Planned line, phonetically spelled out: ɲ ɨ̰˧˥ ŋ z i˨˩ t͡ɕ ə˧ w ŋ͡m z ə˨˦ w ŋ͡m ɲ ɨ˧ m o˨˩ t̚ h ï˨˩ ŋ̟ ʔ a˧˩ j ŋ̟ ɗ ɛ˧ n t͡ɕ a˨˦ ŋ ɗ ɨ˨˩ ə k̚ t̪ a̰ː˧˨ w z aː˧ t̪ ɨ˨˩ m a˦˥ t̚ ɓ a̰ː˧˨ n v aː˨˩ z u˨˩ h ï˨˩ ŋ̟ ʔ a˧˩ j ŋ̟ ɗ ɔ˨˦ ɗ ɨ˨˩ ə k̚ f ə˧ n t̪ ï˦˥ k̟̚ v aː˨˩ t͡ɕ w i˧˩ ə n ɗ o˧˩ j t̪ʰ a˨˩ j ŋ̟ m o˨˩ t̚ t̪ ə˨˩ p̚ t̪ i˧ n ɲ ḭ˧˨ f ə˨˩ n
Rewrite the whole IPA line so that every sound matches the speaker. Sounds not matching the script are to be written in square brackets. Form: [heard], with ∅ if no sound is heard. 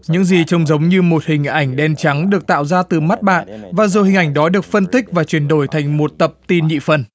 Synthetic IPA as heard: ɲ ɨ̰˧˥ ŋ z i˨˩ t͡ɕ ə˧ w ŋ͡m z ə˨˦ w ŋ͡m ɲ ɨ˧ m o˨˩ t̚ h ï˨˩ ŋ̟ ʔ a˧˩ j ŋ̟ ɗ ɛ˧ n t͡ɕ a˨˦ ŋ ɗ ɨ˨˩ ə k̚ t̪ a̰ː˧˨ w z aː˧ t̪ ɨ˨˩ m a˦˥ t̚ ɓ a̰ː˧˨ n v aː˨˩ z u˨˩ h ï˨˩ ŋ̟ ʔ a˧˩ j ŋ̟ ɗ ɔ˨˦ ɗ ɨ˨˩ ə k̚ f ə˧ n t̪ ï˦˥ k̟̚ v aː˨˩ t͡ɕ w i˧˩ ə n ɗ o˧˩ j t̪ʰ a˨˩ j ŋ̟ m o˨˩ t̚ t̪ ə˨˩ p̚ t̪ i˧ n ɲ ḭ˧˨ f ə˨˩ n